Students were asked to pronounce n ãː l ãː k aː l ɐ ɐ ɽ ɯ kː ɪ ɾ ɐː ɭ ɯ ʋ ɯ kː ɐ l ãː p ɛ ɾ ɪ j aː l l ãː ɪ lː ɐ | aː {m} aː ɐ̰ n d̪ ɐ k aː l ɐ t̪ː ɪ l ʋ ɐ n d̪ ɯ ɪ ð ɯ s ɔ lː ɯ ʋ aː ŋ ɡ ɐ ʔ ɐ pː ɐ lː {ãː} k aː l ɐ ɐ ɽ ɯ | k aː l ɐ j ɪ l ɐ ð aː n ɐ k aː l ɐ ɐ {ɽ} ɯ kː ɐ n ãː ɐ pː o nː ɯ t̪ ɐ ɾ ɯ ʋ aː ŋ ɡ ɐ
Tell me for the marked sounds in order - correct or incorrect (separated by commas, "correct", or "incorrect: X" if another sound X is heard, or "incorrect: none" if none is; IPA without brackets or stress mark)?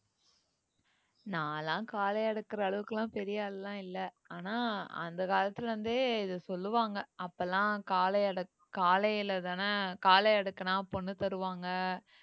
incorrect: n, correct, correct